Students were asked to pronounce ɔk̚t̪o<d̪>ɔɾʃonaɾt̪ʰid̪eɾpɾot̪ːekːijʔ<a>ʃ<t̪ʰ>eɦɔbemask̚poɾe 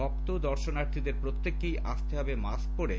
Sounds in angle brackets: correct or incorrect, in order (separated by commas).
correct, correct, incorrect